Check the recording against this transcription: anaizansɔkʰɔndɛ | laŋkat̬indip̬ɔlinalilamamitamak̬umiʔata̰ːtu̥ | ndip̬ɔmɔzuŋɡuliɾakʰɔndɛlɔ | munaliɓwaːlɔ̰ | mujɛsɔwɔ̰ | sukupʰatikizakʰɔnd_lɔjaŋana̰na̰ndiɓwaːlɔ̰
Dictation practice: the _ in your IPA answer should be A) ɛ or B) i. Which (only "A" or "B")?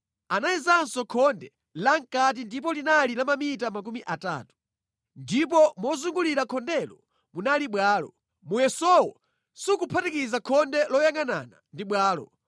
A